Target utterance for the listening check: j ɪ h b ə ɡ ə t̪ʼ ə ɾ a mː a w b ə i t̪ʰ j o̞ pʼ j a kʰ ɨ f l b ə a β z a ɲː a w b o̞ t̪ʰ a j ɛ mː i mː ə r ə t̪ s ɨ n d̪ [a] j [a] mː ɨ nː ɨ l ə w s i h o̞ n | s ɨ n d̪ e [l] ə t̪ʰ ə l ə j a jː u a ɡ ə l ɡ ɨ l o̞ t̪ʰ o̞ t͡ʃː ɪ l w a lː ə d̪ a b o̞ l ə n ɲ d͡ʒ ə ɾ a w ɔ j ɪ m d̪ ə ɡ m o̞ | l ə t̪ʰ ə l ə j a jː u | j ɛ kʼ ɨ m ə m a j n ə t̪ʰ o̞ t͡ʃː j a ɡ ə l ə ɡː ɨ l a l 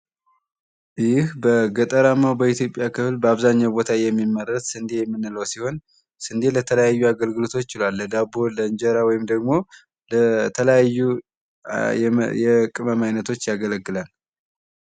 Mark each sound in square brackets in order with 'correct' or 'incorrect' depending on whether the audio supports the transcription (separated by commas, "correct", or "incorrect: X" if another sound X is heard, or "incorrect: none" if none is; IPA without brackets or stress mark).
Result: incorrect: e, incorrect: ɛ, correct